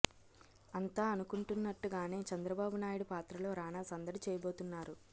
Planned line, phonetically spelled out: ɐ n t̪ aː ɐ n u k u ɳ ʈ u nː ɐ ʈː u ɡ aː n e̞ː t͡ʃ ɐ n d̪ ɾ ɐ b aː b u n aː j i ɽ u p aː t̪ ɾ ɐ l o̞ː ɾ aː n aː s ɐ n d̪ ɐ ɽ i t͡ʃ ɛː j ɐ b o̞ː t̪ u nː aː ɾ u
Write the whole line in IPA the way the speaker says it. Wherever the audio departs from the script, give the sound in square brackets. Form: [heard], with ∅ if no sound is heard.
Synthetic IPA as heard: ɐ n t̪ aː ɐ n u k u ɳ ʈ u nː ɐ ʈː u ɡ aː n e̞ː t͡ʃ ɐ n d̪ ɾ ɐ b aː b u n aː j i ɽ u p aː t̪ ɾ ɐ l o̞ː ɾ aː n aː s ɐ n d̪ ɐ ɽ i t͡ʃ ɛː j ɐ b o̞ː t̪ u nː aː ɾ u